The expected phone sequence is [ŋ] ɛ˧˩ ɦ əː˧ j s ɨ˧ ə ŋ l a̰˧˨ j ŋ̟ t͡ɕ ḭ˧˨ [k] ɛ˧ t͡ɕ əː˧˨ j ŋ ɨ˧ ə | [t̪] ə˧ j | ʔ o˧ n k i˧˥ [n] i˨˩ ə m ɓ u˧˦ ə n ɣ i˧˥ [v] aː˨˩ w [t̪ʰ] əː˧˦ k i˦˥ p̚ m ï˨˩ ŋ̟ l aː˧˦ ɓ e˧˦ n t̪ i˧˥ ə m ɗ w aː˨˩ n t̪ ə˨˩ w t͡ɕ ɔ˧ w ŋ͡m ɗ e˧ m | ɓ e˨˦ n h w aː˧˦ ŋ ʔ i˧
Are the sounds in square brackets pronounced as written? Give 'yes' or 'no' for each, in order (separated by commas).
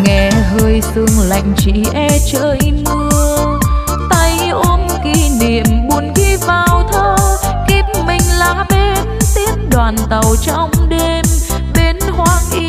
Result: yes, no, yes, yes, yes, yes